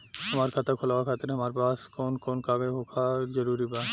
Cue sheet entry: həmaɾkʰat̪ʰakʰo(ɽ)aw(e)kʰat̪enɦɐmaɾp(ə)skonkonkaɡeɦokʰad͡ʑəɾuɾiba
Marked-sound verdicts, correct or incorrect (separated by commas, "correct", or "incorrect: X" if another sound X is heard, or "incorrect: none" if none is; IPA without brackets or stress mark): incorrect: l, incorrect: a, incorrect: a